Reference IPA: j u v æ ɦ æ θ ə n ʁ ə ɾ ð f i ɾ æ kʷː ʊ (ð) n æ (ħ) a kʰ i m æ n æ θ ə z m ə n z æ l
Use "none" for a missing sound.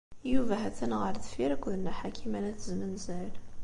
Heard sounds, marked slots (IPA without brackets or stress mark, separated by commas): ð, ħ